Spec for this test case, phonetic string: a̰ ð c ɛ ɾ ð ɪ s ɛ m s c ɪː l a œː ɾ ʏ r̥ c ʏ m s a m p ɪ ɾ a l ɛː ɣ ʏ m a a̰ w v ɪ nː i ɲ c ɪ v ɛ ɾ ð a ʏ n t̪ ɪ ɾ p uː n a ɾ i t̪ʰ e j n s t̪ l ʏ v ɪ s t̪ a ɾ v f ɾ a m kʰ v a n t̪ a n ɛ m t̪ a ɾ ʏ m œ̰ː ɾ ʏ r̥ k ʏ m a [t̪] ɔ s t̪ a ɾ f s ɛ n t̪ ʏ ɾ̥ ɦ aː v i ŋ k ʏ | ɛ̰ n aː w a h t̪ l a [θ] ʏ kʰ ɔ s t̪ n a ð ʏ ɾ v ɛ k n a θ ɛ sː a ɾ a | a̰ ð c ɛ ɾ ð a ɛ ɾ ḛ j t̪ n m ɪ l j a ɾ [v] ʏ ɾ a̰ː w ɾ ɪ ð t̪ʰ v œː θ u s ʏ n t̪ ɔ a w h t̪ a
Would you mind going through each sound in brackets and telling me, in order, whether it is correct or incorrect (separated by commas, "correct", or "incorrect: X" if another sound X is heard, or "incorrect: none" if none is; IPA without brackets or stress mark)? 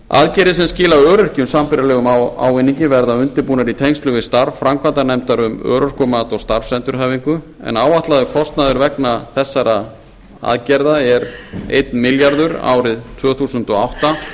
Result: correct, incorrect: ð, incorrect: ð